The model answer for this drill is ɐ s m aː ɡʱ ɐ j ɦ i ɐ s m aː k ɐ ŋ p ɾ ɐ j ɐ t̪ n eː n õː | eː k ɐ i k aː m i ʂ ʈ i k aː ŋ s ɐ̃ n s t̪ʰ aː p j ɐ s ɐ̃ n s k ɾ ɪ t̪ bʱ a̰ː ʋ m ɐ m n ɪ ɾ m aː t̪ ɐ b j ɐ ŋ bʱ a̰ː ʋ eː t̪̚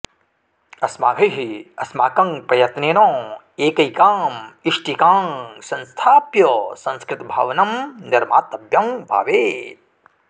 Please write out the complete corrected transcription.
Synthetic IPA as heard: ɐ s m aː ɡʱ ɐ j ɦ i ɐ s m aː k ɐ ŋ p ɾ ɐ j ɐ t̪ n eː n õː | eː k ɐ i k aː m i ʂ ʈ i k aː ŋ s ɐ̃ n s t̪ʰ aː p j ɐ s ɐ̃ n s k ɾ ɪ t̪ bʱ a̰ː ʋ n ɐ m n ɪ ɾ m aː t̪ ɐ b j ɐ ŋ bʱ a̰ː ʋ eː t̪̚